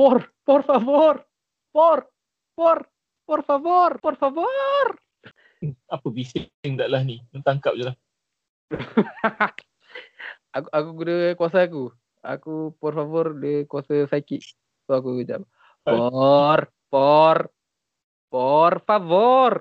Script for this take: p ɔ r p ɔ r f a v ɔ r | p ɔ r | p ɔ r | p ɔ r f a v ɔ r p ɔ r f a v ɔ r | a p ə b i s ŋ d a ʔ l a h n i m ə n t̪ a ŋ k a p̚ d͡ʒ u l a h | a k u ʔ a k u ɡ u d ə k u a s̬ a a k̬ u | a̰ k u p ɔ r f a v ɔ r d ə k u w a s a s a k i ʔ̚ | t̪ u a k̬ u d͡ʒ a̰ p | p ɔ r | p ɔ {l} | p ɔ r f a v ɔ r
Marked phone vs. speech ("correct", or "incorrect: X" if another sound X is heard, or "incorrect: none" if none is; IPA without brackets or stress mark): incorrect: r